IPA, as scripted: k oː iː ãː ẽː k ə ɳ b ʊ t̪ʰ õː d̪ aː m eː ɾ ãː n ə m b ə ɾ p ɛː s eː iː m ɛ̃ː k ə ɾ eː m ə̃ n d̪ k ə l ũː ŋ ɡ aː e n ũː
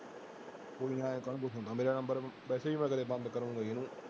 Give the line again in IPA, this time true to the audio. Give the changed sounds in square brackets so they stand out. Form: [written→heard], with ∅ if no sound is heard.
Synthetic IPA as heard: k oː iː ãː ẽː k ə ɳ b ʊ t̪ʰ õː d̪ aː m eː ɾ [ãː→aː] n ə m b ə ɾ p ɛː s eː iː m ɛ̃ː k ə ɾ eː [m→b] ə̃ n d̪ k ə [l→ɾ] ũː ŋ ɡ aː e n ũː